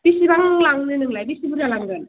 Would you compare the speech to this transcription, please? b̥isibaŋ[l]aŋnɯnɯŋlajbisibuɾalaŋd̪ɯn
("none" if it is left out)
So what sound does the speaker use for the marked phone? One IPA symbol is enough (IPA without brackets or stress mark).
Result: l